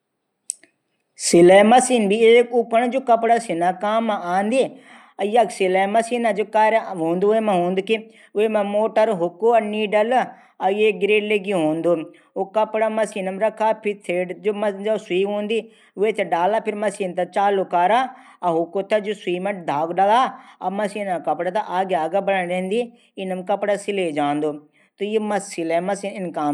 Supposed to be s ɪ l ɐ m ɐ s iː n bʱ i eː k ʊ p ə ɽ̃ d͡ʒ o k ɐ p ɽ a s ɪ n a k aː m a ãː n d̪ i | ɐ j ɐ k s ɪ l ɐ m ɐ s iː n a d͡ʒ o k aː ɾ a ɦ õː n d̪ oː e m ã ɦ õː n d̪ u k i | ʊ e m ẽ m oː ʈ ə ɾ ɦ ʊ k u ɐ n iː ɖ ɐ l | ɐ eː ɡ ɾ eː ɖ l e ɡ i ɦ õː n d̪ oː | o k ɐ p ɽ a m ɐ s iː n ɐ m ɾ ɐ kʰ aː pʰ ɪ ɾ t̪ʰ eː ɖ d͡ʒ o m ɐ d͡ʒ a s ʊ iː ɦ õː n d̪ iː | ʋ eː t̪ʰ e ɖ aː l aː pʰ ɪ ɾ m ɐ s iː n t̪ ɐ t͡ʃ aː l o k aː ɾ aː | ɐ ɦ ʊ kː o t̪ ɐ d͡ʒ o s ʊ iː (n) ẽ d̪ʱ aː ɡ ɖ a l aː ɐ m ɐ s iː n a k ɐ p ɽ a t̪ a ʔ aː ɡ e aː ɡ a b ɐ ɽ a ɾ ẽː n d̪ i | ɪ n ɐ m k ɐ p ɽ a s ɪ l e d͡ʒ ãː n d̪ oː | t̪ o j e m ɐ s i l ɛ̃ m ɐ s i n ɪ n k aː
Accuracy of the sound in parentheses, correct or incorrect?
incorrect: m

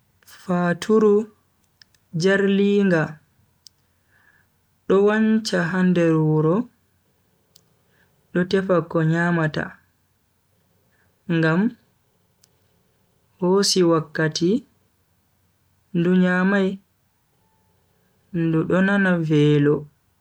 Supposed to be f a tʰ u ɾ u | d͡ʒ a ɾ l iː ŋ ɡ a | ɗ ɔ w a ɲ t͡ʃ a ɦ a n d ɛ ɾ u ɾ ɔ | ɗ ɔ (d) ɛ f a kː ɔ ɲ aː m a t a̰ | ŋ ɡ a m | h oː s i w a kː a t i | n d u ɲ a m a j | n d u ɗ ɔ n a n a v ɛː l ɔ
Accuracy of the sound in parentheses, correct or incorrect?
incorrect: t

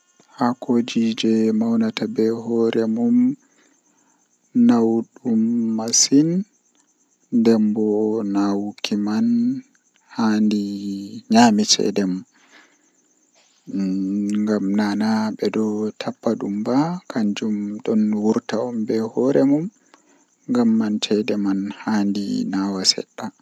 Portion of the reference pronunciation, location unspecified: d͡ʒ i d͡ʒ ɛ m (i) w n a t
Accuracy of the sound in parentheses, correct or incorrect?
incorrect: a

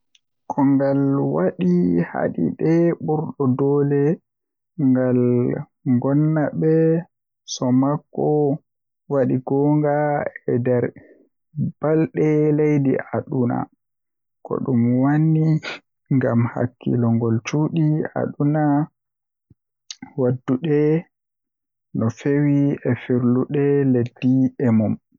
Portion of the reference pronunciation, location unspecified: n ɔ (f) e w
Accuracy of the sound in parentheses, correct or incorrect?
correct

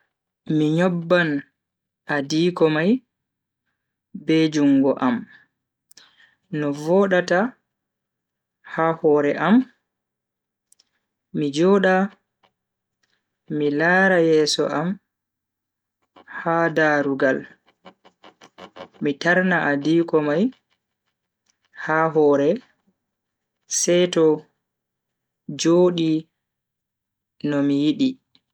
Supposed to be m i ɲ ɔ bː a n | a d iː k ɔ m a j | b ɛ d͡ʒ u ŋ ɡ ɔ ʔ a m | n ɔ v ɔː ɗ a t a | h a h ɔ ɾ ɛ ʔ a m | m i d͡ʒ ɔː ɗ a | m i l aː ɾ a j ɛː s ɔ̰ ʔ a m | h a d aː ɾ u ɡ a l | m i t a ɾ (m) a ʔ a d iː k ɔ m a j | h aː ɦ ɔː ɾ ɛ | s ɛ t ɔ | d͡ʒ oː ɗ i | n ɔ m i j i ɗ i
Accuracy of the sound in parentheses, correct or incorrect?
incorrect: n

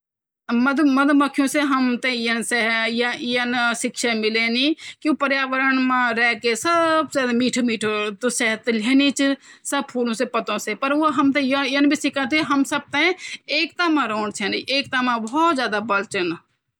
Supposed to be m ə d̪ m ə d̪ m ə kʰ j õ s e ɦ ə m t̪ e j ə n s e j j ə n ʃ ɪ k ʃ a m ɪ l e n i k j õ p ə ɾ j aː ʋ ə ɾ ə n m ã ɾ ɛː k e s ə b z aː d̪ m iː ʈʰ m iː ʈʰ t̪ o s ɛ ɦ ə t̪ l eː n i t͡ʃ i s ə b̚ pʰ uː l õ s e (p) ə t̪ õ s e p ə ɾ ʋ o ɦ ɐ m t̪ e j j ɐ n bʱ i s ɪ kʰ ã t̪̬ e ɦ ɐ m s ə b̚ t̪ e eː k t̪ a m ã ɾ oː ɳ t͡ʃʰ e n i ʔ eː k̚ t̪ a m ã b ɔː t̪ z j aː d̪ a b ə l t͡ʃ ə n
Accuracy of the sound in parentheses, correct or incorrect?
correct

